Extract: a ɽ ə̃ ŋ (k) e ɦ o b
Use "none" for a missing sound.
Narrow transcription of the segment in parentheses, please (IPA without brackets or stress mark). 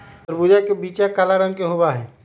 k